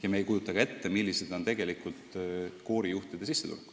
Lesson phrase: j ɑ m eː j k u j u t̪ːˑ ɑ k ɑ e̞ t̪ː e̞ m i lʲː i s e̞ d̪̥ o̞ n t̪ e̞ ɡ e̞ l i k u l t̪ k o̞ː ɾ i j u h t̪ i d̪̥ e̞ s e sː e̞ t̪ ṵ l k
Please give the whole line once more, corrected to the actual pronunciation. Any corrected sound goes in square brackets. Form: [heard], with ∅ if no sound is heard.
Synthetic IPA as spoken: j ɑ m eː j k u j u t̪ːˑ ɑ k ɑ e̞ t̪ː e̞ m i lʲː i s e̞ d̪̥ o̞ n t̪ e̞ ɡ e̞ l i k u l t̪ k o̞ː ɾ i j u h t̪ i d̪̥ e̞ s [i] sː e̞ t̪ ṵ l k